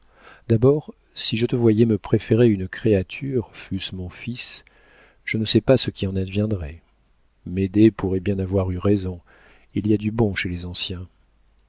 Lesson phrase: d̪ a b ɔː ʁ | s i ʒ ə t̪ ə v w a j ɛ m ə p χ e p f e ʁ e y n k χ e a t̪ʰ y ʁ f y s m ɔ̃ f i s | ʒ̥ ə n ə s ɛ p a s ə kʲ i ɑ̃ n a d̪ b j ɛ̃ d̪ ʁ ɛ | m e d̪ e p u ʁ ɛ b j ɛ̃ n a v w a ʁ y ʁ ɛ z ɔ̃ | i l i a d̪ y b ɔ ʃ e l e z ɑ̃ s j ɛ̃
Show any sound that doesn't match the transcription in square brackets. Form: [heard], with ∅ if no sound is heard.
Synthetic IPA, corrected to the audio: d̪ a b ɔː ʁ | s i ʒ ə t̪ ə v w a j ɛ m ə p χ e [∅] f e ʁ e y n k χ e a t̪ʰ y ʁ f y s m ɔ̃ f i s | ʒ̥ ə n ə s ɛ p a s ə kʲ i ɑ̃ n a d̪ [v] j ɛ̃ d̪ ʁ ɛ | m e d̪ e p u ʁ ɛ b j ɛ̃ n a v w a ʁ y ʁ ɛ z ɔ̃ | i l i a d̪ y b [ɔ̃] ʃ e l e z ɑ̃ s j ɛ̃